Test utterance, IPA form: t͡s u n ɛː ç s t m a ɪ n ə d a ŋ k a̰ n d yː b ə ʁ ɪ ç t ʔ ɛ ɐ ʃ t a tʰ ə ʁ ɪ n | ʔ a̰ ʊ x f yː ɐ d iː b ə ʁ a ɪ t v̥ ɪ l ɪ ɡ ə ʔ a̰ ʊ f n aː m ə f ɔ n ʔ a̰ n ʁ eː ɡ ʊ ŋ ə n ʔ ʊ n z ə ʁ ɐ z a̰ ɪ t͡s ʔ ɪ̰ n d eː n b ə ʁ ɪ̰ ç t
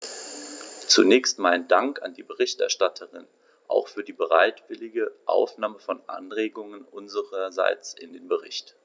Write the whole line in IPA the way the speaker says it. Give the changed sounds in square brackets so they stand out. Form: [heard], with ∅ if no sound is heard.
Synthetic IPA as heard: t͡s u n ɛː ç s t m a ɪ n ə d a ŋ k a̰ n d [iː] b ə ʁ ɪ ç t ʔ ɛ ɐ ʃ t a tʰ ə ʁ ɪ n | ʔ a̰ ʊ x f yː ɐ d iː b ə ʁ a ɪ t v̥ ɪ l ɪ ɡ ə ʔ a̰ ʊ f n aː m ə f ɔ n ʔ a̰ n ʁ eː ɡ ʊ ŋ ə n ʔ ʊ n z ə ʁ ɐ z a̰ ɪ t͡s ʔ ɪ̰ n d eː n b ə ʁ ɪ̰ ç t